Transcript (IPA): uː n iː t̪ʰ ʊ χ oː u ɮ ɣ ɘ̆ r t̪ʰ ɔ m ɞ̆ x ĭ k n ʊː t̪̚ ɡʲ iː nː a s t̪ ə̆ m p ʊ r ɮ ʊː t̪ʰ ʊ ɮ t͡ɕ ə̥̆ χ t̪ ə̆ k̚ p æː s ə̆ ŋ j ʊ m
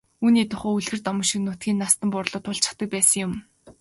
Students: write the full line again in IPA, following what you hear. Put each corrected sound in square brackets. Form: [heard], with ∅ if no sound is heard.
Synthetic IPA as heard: uː n iː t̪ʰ ʊ χ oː u ɮ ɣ ɘ̆ r [t̪] ɔ m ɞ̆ [ʃ] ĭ k n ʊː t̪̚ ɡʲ iː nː a s t̪ ə̆ m p ʊ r ɮ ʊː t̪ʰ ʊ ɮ t͡ɕ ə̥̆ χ t̪ ə̆ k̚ p æː s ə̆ ŋ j ʊ m